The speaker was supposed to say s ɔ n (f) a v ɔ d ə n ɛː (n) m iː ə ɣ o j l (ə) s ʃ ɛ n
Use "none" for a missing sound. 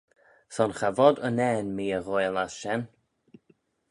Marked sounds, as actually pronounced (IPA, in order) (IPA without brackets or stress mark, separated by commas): x, n, a